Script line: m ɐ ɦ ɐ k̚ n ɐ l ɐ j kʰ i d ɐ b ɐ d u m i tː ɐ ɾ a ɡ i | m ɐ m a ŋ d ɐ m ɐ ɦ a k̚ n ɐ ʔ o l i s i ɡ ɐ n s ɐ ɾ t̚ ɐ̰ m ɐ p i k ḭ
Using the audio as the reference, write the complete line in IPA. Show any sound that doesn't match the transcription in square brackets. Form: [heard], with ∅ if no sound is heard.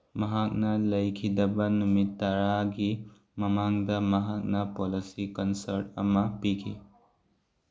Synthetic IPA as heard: m ɐ ɦ [a] k̚ n ɐ l ɐ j kʰ i d ɐ b ɐ [n] u m i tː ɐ ɾ a ɡ i | m ɐ m a ŋ d ɐ m ɐ ɦ a k̚ n ɐ [p] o l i s i [k] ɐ n s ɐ ɾ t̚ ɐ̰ m ɐ p i [kʰ] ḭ